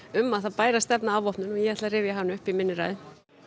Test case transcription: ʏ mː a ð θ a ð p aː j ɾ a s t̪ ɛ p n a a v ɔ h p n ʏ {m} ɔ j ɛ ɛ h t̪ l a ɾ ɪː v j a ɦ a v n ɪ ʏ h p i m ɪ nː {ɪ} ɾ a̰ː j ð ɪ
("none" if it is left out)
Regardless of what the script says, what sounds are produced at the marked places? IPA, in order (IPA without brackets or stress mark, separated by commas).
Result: n, ɪ